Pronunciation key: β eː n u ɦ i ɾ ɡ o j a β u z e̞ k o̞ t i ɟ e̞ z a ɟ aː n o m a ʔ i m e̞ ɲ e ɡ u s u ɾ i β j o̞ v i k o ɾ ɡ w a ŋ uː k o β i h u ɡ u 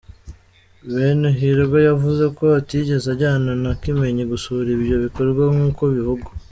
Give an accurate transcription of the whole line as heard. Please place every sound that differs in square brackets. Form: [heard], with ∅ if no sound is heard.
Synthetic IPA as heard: β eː n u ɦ i ɾ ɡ o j a [v] u z e̞ k o̞ t i ɟ e̞ z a ɟ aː n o [n] a [k] i m e̞ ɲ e ɡ u s u ɾ i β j o̞ [β] i k o ɾ ɡ w a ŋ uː k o β i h u ɡ u